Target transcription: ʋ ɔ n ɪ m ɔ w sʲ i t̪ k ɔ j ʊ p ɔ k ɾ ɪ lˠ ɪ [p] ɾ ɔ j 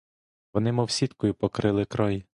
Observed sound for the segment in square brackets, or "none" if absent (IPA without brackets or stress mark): k